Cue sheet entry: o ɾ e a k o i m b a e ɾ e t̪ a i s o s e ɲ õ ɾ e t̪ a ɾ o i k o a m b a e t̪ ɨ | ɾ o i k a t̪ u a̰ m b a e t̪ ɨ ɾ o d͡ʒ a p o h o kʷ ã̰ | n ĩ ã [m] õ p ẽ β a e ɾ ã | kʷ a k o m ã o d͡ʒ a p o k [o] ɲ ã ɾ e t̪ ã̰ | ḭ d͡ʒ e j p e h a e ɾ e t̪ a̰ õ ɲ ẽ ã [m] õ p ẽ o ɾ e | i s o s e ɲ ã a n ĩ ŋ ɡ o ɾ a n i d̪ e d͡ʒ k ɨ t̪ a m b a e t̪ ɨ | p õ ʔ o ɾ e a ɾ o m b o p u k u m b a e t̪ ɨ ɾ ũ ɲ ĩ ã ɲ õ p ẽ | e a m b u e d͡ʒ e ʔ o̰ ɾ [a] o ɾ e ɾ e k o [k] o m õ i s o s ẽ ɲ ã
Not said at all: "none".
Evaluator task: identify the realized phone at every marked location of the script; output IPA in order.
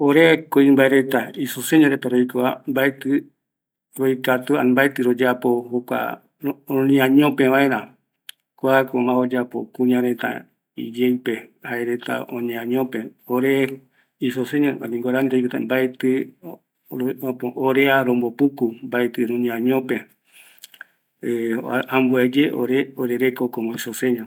ɲ, u, ɲ, e, k

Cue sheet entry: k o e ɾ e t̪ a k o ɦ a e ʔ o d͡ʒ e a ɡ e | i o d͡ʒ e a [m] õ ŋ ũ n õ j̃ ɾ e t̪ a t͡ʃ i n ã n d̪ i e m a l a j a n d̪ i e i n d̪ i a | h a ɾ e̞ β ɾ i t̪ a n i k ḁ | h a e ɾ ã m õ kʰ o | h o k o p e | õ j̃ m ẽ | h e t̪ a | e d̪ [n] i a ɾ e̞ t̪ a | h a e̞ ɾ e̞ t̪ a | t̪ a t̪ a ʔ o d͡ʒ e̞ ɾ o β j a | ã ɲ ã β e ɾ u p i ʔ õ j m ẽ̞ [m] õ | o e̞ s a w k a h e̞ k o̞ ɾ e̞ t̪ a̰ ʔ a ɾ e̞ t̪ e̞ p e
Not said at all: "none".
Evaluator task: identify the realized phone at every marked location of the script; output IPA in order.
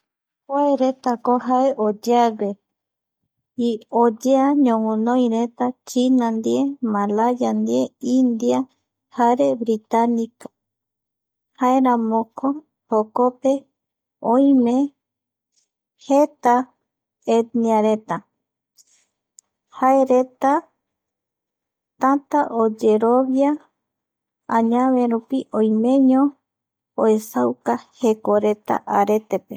ɲ, n, ɲ

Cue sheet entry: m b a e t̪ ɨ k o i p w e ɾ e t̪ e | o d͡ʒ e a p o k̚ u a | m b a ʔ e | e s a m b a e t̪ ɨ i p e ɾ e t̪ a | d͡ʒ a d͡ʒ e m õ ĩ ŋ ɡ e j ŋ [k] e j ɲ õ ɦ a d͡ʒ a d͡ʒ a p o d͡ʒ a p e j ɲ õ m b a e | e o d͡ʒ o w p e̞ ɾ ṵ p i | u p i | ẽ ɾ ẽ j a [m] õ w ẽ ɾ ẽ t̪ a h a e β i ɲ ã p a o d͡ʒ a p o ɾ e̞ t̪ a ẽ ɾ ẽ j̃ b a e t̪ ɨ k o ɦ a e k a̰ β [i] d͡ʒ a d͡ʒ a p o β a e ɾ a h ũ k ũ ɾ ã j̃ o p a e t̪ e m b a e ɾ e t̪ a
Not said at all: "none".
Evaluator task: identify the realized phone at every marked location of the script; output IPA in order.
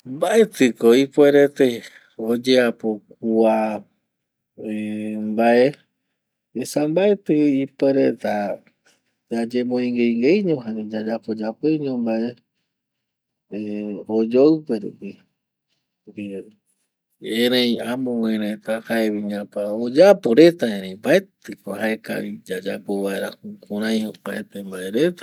ɡ, m, i

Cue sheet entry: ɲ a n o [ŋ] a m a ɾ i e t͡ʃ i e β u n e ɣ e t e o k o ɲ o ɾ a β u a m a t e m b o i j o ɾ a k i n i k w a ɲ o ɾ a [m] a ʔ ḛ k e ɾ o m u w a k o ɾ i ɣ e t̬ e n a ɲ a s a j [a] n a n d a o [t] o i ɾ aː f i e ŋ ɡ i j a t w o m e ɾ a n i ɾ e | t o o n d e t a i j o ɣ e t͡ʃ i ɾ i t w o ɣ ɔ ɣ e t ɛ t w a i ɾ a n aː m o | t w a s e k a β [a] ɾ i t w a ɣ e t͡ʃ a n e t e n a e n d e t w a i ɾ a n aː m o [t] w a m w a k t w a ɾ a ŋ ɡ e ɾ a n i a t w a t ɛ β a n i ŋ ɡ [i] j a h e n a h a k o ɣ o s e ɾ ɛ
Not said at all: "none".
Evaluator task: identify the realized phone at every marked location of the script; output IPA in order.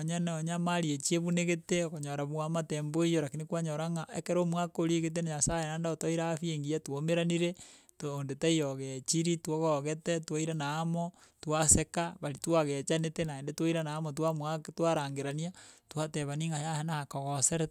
ɲ, ŋ, e, t, a, t, a

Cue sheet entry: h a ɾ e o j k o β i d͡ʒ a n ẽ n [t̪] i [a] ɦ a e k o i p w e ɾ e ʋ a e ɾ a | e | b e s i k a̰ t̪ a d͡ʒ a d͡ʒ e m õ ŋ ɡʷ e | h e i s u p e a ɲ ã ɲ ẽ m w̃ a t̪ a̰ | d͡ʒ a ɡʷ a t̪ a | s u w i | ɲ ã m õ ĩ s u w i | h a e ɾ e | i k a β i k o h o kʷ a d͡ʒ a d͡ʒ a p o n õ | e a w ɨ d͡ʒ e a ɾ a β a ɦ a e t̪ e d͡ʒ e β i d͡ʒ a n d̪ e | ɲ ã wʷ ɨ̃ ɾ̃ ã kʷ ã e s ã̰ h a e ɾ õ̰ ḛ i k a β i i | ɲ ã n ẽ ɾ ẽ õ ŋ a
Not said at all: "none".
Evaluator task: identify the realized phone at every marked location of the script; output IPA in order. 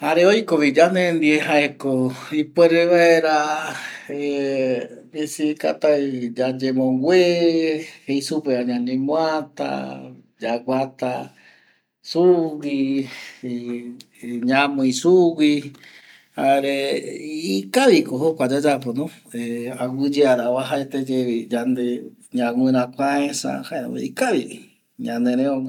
d̪, e

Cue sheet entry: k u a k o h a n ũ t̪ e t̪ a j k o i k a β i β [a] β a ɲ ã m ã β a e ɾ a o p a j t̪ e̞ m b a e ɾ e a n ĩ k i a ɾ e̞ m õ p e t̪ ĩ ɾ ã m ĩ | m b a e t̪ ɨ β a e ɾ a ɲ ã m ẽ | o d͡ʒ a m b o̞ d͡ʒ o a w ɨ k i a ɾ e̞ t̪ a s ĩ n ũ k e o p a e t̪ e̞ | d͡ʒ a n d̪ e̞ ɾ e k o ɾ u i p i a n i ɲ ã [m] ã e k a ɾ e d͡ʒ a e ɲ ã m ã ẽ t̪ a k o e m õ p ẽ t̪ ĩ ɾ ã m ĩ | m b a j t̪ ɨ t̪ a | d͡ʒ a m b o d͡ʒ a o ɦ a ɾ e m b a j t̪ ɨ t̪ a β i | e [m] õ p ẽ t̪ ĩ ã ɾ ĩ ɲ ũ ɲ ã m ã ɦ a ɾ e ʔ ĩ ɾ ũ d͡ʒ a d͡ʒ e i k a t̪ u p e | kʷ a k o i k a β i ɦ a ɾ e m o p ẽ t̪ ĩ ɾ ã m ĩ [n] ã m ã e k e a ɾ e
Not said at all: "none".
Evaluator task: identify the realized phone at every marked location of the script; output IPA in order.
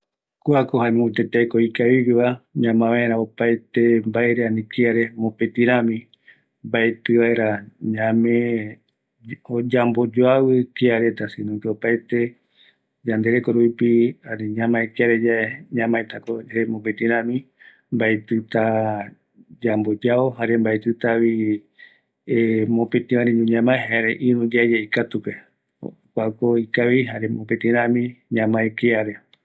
i, m, m, ɲ

